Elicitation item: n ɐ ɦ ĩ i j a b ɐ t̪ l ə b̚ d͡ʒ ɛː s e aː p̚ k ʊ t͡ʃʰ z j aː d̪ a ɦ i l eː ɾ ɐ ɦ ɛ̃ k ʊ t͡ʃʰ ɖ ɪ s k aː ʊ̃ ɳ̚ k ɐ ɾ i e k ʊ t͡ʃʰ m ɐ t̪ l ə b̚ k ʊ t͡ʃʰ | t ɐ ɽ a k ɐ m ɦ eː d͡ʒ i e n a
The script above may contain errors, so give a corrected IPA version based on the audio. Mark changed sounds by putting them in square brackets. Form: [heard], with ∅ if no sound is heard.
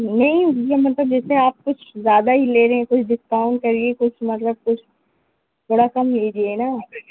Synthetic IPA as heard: n ɐ ɦ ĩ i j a [m] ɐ t̪ l ə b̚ d͡ʒ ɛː s e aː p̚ k ʊ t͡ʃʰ z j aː d̪ a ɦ i l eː ɾ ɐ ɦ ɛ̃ k ʊ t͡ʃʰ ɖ ɪ s k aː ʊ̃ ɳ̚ k ɐ ɾ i e k ʊ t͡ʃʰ m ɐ t̪ l ə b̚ k ʊ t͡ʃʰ | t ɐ ɽ a k ɐ m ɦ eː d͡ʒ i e n a